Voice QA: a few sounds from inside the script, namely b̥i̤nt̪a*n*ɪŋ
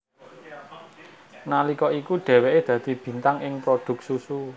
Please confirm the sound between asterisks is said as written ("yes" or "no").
no